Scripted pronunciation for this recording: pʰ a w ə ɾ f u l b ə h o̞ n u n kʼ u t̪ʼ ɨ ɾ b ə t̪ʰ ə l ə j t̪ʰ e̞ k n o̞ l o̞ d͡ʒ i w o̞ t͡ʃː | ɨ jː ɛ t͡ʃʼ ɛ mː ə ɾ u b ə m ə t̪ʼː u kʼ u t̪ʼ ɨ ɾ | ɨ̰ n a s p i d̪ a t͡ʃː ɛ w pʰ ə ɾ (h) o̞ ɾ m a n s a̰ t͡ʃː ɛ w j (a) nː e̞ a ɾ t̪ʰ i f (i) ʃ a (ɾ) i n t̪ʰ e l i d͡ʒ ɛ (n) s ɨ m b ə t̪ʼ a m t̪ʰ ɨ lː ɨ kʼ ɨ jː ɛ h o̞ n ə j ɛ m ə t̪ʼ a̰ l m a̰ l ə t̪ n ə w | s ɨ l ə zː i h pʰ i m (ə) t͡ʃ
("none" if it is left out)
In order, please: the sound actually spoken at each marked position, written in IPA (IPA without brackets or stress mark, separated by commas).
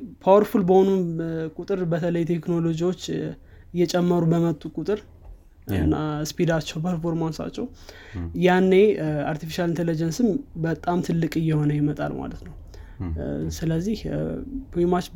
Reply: f, a, i, l, n, a